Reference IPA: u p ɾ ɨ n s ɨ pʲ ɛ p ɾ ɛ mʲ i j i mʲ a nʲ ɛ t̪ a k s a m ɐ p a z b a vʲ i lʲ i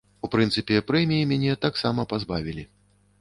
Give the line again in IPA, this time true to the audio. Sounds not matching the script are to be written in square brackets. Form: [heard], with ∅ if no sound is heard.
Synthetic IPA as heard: u p ɾ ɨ n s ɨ pʲ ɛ p ɾ ɛ mʲ i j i mʲ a nʲ ɛ t̪ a k s a m ɐ p a z b a vʲ i lʲ i

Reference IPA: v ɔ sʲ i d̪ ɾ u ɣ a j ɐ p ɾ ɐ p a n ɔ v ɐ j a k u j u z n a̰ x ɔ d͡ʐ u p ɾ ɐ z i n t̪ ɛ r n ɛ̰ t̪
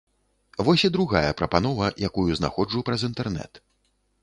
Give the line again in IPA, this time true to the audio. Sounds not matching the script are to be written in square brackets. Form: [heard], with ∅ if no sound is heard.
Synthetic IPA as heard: v ɔ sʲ i d̪ ɾ u ɣ a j ɐ p ɾ ɐ p a n ɔ v ɐ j a k u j u z n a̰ x ɔ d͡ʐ u p ɾ ɐ z i n t̪ ɛ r n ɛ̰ t̪

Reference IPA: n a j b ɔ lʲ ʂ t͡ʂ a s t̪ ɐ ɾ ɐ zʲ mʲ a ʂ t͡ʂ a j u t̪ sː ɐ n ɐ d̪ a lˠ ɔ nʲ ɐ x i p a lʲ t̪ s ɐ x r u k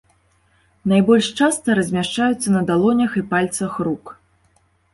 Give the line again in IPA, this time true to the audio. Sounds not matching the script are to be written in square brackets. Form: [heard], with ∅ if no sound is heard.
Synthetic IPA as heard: n a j b ɔ lʲ ʂ t͡ʂ a s t̪ ɐ ɾ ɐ zʲ mʲ a ʂ t͡ʂ a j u t̪ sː ɐ n ɐ d̪ a lˠ ɔ nʲ ɐ x i p a lʲ t̪ s ɐ x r u k

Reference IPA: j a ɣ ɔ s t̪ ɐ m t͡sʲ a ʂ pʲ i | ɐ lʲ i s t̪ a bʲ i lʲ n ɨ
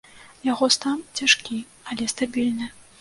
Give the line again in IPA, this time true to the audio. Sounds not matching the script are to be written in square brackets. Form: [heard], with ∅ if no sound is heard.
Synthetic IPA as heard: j a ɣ ɔ s t̪ [a] m t͡sʲ a ʂ [kʲ] i | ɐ lʲ [ɛ] s t̪ a bʲ i lʲ n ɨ

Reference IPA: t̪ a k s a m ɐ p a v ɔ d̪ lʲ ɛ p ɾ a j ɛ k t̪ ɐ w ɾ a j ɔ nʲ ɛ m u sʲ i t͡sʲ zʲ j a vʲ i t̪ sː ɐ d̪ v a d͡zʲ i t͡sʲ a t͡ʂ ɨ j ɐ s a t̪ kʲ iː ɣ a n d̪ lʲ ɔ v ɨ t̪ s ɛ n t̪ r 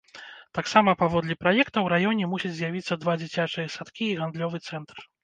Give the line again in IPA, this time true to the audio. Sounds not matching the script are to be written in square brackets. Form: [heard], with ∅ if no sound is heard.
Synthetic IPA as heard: t̪ a k s a m ɐ p a v ɔ d̪ lʲ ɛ p ɾ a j ɛ k t̪ ɐ w ɾ a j ɔ nʲ ɛ m u sʲ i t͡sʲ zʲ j a vʲ i t̪ sː ɐ d̪ v a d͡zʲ i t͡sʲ a t͡ʂ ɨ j ɐ s a t̪ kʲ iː ɣ a n d̪ lʲ ɔ v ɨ t̪ s ɛ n t̪ r

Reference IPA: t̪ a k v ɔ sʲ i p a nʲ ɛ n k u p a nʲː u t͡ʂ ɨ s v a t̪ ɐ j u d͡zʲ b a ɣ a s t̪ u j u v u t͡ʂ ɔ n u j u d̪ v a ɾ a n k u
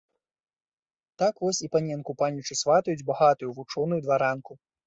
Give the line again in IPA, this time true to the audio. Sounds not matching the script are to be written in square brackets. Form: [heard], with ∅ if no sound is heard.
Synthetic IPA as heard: t̪ a k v ɔ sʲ i p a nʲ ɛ n k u p a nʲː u t͡ʂ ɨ s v a t̪ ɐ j u d͡zʲ b a ɣ a [∅] t̪ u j u v u t͡ʂ ɔ n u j u d̪ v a ɾ a n k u

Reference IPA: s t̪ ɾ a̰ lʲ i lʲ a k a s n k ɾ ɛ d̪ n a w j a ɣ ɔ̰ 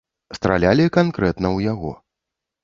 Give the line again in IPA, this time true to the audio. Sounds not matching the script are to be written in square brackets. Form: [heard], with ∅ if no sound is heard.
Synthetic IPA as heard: s t̪ ɾ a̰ lʲ [a] lʲ [i] k a [∅] n k ɾ ɛ [t̪] n [ɐ] w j a ɣ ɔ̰

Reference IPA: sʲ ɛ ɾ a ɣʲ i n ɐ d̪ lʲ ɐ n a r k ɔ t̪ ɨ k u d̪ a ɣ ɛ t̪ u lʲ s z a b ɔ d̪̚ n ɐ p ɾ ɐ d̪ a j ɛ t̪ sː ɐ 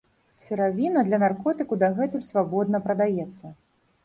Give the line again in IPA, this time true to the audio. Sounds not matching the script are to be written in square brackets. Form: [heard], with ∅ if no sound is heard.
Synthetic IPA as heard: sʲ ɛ ɾ a [vʲ] i n ɐ d̪ lʲ ɐ n a r k ɔ t̪ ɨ k u d̪ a ɣ ɛ t̪ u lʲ s [v] a b ɔ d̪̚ n ɐ p ɾ ɐ d̪ a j ɛ t̪ sː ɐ

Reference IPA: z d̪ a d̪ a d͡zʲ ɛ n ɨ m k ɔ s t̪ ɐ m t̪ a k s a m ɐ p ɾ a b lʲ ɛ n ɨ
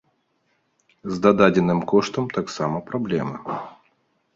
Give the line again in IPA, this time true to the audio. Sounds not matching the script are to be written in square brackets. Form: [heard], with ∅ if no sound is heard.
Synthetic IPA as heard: z d̪ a d̪ a d͡zʲ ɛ n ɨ m k ɔ [ʂ] t̪ ɐ m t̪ a k s a m ɐ p ɾ a b lʲ ɛ [m] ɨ

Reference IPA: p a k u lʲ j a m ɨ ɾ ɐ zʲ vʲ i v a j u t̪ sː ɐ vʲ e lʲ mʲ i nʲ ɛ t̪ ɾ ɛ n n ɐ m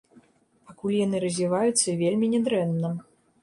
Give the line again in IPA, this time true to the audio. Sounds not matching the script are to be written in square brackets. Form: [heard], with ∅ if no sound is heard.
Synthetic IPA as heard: p a k u lʲ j a [n] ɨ ɾ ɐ zʲ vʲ i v a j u t̪ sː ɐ vʲ e lʲ mʲ i nʲ ɛ [d̪] ɾ ɛ n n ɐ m

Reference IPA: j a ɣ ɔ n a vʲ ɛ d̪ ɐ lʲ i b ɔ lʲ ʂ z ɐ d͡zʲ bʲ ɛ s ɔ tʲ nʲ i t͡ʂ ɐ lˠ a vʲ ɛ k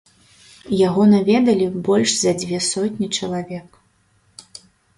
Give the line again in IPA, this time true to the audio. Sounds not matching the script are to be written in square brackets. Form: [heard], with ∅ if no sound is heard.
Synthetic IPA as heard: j a ɣ ɔ n a vʲ ɛ d̪ ɐ lʲ i b ɔ lʲ ʂ z ɐ d͡zʲ [vʲ] ɛ s ɔ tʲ nʲ i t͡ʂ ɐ lˠ a vʲ ɛ k

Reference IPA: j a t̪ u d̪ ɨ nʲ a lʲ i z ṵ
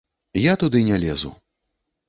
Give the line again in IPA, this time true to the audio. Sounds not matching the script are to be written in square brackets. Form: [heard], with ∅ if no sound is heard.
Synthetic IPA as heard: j a t̪ u d̪ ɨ nʲ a lʲ [ɛ] z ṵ

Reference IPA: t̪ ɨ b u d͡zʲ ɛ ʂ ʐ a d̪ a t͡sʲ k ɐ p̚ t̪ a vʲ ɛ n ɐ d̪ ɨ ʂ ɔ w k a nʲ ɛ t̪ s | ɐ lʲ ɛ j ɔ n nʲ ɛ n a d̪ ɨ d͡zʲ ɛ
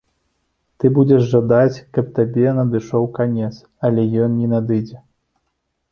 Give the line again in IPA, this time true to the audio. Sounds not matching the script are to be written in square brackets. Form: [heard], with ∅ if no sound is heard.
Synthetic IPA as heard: t̪ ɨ b u d͡zʲ ɛ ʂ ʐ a d̪ a t͡sʲ k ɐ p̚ t̪ a [bʲ] ɛ n ɐ d̪ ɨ ʂ ɔ w k a nʲ ɛ t̪ s | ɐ lʲ ɛ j ɔ n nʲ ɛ n a d̪ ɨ d͡zʲ ɛ

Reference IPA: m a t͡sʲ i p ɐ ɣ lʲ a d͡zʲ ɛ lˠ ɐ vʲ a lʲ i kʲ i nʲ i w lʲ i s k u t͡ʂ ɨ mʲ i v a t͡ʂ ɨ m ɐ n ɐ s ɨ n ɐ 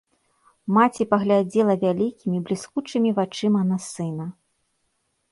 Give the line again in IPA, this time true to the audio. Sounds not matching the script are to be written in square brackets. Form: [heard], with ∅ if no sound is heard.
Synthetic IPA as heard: m a t͡sʲ i p ɐ ɣ lʲ a d͡zʲ ɛ lˠ ɐ vʲ a lʲ i kʲ i [mʲ] i [b] lʲ i s k u t͡ʂ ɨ mʲ i v a t͡ʂ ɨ m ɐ n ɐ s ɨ n ɐ

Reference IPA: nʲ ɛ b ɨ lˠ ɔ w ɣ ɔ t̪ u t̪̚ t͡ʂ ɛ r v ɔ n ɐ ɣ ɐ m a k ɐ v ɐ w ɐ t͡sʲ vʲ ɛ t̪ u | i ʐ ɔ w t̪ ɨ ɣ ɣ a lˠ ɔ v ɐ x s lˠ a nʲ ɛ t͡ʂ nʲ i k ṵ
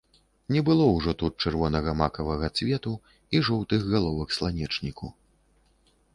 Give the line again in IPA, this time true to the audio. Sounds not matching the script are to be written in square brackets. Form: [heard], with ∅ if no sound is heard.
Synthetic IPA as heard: nʲ ɛ b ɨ lˠ ɔ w [ʐ] ɔ t̪ u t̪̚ t͡ʂ ɛ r v ɔ n ɐ ɣ ɐ m a k ɐ v ɐ [ɣ] ɐ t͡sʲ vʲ ɛ t̪ u | i ʐ ɔ w t̪ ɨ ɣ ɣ a lˠ ɔ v ɐ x s lˠ a nʲ ɛ t͡ʂ nʲ i k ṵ

